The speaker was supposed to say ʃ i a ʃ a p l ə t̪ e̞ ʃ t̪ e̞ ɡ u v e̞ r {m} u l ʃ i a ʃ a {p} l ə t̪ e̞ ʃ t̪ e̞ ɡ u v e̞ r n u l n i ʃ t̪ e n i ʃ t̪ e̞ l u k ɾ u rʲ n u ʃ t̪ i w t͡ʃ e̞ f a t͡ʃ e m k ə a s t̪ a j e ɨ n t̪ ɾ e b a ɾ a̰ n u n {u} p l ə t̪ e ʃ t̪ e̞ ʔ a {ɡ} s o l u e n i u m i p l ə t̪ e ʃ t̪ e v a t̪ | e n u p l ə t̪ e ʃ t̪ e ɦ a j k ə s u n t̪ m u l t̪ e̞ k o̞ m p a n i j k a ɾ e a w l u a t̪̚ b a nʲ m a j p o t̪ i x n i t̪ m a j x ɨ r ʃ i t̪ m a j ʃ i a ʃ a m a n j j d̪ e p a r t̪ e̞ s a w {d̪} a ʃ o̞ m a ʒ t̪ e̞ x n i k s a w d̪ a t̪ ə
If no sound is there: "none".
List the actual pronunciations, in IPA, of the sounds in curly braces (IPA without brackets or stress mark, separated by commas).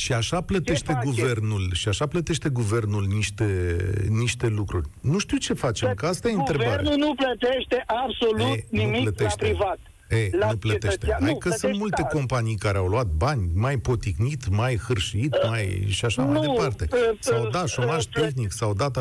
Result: n, p, u, b, d̪